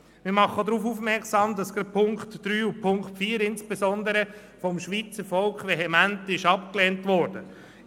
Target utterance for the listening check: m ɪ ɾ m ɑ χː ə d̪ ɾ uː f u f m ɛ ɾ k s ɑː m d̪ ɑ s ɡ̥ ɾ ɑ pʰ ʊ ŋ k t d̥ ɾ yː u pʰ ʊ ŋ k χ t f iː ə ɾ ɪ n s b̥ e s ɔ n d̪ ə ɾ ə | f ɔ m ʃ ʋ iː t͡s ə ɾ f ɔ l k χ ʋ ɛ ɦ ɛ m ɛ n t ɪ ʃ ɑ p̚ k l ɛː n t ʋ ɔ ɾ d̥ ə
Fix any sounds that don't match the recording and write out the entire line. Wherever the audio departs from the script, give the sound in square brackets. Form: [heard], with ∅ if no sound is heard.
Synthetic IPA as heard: m ɪ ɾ m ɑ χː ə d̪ ɾ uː f u f m ɛ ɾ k s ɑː m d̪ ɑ s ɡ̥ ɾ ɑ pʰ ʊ ŋ k t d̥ ɾ yː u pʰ ʊ ŋ k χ t f iː ə ɾ ɪ n s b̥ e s ɔ n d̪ ə ɾ ə | f ɔ m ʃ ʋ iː t͡s ə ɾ f ɔ l k χ ʋ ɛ ɦ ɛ m [æ] n t ɪ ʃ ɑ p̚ k l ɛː n t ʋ ɔ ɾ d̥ ə